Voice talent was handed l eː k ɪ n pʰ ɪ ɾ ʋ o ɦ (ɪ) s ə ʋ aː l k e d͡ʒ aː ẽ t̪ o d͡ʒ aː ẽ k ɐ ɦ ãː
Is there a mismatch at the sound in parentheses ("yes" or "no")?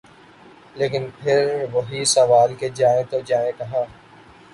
yes